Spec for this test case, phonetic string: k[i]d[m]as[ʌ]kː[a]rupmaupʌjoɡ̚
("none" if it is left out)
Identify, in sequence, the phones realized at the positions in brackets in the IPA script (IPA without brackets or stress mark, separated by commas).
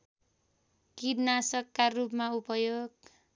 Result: i, n, ʌ, a